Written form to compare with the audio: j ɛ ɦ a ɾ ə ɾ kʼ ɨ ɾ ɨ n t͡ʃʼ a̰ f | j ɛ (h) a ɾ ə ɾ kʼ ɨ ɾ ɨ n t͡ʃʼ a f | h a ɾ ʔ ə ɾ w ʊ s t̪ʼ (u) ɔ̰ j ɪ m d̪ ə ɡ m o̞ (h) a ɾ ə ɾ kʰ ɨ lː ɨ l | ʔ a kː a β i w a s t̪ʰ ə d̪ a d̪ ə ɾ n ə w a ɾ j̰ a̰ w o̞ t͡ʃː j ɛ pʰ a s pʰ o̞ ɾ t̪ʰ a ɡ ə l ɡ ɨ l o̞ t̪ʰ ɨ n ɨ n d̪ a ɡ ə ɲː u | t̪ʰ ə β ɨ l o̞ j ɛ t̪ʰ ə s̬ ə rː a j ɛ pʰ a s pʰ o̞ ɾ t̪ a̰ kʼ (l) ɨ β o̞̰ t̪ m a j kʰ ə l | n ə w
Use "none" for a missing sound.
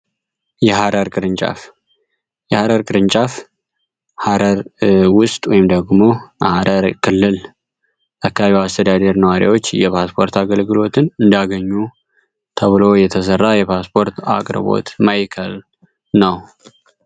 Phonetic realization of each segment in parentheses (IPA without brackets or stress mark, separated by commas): h, w, h, ɾ